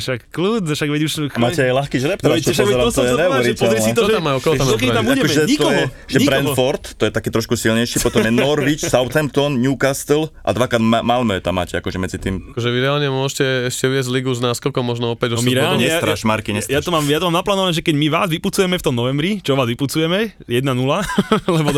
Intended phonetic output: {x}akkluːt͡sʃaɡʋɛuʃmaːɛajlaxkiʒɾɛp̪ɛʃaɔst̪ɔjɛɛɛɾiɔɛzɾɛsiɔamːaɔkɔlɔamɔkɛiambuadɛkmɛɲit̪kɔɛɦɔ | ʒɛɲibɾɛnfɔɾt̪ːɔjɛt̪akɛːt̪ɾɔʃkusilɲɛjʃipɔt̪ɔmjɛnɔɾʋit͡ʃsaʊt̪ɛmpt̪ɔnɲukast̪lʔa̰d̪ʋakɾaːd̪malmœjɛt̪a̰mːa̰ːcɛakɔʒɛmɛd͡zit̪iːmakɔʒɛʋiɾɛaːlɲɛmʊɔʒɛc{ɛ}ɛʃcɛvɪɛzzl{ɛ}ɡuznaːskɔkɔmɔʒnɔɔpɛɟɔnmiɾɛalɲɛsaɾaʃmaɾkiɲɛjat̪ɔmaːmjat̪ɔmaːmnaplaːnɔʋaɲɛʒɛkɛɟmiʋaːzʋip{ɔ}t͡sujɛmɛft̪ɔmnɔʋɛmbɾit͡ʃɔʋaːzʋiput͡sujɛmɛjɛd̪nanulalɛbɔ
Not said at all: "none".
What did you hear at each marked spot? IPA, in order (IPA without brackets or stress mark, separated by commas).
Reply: ʃ, ɛ, i, u